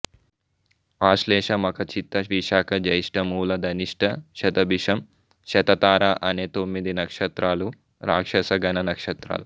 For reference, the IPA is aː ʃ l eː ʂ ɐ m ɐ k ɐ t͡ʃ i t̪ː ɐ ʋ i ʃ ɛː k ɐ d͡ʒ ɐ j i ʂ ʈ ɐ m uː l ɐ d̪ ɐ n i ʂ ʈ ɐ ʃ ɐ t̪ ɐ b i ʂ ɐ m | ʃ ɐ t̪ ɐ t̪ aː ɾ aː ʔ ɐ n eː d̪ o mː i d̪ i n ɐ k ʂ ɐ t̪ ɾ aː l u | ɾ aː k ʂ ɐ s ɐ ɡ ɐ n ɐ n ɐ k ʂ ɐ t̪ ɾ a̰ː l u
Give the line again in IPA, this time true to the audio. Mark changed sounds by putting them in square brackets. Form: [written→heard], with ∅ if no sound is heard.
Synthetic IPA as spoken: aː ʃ l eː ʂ ɐ m ɐ k ɐ t͡ʃ i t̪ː ɐ ʋ i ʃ [ɛː→aː] k ɐ d͡ʒ ɐ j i ʂ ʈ ɐ m uː l ɐ d̪ ɐ n i ʂ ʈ ɐ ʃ ɐ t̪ ɐ b i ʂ ɐ m | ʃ ɐ t̪ ɐ t̪ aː ɾ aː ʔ ɐ n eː [d̪→t̪] o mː i d̪ i n ɐ k ʂ ɐ t̪ ɾ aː l u | ɾ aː k ʂ ɐ s ɐ ɡ ɐ n ɐ n ɐ k ʂ ɐ t̪ ɾ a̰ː l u